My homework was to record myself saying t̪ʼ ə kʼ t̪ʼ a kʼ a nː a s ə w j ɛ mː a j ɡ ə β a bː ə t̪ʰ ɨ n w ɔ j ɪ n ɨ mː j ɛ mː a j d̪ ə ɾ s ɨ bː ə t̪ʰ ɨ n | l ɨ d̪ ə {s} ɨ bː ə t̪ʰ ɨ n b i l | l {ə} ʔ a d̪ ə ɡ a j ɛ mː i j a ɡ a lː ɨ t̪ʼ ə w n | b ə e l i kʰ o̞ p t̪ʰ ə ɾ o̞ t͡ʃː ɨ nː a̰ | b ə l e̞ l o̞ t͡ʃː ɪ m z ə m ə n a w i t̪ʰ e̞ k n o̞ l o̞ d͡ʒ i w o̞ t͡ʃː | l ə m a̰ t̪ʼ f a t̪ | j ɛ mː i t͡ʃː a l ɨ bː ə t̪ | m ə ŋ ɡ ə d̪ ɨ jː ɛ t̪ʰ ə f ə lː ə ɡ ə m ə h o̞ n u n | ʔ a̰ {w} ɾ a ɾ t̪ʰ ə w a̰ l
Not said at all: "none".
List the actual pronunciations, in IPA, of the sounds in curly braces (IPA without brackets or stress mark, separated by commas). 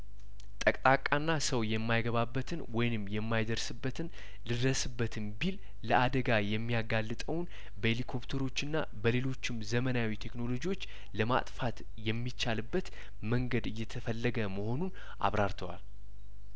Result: s, ə, β